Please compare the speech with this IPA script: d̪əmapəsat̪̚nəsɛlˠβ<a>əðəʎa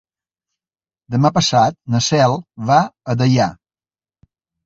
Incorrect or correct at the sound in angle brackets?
correct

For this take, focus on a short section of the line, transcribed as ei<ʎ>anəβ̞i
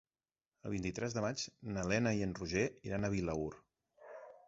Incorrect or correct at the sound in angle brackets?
incorrect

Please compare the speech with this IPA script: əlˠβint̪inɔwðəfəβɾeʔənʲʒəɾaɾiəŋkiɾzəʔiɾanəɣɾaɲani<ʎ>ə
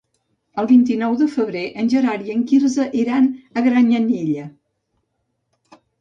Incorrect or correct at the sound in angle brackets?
correct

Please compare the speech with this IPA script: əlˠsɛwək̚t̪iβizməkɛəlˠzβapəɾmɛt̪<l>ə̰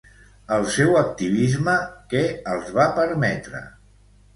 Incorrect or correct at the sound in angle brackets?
incorrect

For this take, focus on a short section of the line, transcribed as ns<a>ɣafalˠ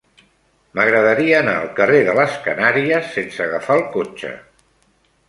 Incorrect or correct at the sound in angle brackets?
incorrect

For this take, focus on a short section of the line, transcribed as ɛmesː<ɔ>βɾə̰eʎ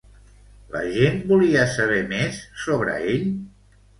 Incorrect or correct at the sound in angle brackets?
incorrect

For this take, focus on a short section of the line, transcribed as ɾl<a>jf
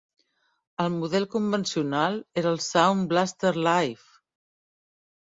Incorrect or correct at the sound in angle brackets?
correct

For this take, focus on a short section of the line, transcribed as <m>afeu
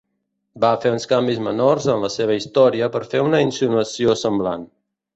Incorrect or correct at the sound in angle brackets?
incorrect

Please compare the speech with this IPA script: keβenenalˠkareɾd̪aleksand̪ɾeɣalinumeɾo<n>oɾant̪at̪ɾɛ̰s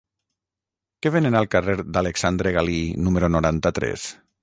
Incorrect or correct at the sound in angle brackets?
correct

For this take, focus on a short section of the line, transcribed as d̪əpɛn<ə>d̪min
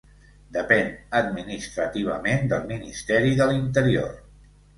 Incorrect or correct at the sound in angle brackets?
correct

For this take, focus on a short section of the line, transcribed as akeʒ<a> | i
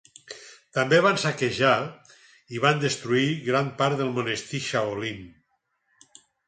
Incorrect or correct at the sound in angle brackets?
correct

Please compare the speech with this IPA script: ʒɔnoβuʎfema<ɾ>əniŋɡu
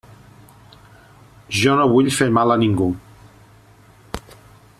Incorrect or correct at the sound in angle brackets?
incorrect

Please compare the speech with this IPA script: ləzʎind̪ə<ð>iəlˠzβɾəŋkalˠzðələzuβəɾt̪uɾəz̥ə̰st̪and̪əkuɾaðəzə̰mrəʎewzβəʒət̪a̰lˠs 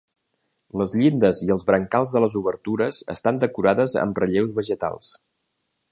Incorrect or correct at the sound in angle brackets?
incorrect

